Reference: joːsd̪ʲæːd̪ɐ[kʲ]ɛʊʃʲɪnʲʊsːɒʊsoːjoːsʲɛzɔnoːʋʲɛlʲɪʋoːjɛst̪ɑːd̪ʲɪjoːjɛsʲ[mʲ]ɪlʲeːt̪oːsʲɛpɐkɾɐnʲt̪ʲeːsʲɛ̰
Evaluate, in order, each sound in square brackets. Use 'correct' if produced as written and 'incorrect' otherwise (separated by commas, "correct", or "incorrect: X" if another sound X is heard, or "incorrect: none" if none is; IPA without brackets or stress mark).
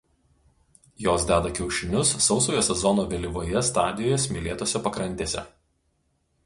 correct, correct